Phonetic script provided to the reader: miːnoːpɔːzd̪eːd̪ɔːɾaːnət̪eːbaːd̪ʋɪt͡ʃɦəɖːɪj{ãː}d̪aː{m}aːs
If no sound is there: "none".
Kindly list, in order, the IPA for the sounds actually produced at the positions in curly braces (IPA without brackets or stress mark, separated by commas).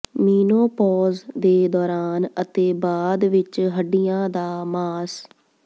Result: ãː, m